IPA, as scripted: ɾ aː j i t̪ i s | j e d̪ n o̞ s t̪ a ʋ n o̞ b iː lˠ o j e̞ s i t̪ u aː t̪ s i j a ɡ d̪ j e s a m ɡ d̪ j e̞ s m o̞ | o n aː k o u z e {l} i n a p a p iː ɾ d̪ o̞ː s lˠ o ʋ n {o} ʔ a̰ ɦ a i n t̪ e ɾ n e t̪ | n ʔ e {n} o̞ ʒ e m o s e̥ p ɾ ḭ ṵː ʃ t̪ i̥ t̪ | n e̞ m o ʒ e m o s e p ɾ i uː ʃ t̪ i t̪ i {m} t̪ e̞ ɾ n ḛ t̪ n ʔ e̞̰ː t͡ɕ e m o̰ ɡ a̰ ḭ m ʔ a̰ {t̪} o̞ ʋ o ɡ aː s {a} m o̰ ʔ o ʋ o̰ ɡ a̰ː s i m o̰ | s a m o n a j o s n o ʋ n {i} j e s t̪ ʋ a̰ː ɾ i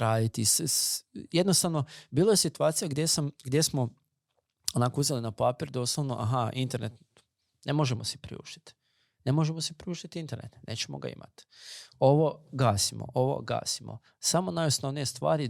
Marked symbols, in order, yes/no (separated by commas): yes, yes, no, no, yes, no, yes